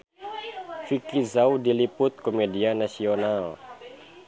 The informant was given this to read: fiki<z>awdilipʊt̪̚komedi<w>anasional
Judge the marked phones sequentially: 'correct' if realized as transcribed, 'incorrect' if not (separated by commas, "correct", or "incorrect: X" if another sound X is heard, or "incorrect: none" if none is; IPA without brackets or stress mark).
correct, incorrect: none